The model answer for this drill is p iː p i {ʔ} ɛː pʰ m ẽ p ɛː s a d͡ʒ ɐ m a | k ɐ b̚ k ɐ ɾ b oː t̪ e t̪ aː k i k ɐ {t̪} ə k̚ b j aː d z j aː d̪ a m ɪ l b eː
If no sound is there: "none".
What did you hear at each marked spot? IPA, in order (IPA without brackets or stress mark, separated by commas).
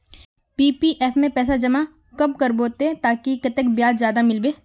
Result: ʔ, t̪